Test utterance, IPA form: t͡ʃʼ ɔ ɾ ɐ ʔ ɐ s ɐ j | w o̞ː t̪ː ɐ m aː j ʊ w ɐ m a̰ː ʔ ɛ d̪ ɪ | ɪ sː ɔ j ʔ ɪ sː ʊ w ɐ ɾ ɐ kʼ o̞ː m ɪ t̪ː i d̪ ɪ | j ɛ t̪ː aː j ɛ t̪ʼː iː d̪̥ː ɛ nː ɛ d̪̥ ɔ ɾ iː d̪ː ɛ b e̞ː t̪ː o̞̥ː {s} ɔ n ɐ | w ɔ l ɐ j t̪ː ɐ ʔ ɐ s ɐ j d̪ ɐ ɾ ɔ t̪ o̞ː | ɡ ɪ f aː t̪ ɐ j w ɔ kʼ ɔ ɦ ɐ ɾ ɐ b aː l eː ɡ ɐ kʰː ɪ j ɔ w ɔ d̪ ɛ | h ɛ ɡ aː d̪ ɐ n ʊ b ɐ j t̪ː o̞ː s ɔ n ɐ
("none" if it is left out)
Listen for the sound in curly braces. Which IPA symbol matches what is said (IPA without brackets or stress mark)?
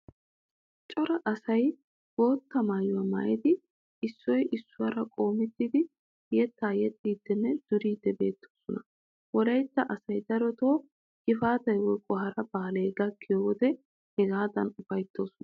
s